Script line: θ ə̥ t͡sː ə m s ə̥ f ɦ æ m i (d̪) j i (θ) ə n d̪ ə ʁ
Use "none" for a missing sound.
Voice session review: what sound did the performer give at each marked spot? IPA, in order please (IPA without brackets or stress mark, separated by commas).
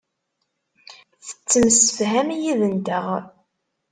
none, ð